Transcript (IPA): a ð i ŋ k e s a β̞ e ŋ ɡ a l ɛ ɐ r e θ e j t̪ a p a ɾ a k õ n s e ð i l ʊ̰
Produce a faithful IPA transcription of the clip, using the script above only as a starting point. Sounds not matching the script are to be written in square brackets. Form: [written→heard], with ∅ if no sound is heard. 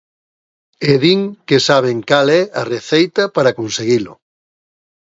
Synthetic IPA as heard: [a→e] ð i ŋ k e s a β̞ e ŋ [ɡ→k] a l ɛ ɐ r e θ e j t̪ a p a ɾ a k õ n s e [ð→ɣ] i l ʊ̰